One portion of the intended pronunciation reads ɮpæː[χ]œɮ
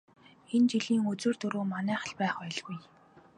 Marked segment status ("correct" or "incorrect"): correct